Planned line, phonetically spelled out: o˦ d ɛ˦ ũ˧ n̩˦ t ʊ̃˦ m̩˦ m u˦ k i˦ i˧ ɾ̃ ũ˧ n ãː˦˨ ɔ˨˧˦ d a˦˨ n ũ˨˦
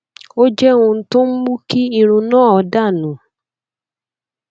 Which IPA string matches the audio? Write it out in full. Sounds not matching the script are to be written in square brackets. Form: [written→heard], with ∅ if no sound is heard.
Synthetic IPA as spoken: o˦ [d→d͡ʒ] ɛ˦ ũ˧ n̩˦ t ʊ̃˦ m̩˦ m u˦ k i˦ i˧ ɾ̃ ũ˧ n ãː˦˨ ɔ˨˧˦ d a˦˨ n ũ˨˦